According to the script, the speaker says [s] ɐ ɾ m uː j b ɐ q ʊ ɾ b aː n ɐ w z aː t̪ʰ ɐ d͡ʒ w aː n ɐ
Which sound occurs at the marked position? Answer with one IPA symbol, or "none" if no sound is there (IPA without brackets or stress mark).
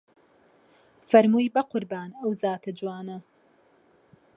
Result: f